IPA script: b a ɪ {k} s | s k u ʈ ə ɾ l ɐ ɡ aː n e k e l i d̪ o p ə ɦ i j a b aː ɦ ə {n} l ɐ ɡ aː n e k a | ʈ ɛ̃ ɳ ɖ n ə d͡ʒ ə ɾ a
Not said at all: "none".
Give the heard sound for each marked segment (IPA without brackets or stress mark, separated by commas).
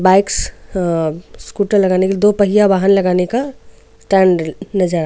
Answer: k, n